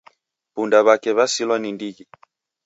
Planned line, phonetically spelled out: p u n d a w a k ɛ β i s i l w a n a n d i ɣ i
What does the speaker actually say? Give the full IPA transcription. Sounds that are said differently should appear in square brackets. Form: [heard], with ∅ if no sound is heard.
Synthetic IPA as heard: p u n d a [β] a k ɛ β [a] s i l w a n [i] n d i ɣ i